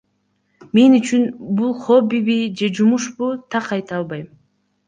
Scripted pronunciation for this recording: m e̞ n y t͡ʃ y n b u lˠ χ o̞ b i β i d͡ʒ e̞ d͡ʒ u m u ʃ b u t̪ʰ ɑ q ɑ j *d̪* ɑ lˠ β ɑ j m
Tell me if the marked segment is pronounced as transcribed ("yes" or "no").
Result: no